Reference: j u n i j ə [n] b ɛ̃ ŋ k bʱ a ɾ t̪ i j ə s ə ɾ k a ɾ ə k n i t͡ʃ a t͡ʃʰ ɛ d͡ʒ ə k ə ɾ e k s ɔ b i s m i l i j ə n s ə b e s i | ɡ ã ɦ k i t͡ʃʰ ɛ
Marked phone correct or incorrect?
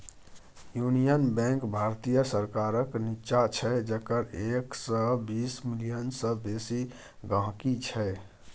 correct